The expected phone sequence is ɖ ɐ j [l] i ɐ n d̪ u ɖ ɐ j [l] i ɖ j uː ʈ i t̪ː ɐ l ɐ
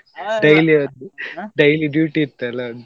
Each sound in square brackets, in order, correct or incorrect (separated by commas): correct, correct